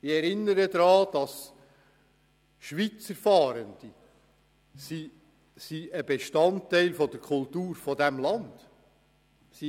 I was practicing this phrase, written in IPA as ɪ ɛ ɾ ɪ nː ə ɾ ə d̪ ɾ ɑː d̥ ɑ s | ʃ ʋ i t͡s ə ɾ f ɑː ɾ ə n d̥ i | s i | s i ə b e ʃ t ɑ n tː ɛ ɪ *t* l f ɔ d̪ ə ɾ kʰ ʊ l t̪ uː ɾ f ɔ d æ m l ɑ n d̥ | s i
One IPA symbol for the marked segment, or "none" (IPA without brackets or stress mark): none